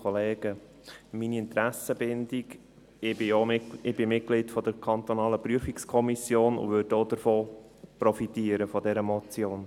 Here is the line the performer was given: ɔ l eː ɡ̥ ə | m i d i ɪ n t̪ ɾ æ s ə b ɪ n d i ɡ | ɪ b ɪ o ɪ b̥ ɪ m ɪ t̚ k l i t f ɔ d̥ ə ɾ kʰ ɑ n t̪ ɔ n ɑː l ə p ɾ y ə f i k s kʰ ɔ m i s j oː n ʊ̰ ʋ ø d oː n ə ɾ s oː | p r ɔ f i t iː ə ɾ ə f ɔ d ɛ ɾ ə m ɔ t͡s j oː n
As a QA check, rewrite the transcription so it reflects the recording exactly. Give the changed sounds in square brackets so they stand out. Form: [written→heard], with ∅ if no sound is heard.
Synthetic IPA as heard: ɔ l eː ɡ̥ ə | m i [d→n] i ɪ n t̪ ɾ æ s ə b ɪ n d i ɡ | ɪ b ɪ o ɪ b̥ ɪ m ɪ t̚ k l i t f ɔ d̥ ə ɾ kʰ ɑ n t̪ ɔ n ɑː l ə p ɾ y ə f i k s kʰ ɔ m i s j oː n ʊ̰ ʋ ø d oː [n→d] ə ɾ [s→f] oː | p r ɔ f i t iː ə ɾ ə f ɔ d ɛ ɾ ə m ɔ t͡s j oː n